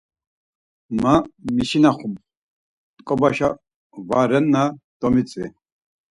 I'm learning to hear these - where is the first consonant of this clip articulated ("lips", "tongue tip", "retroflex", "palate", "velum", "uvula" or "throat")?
lips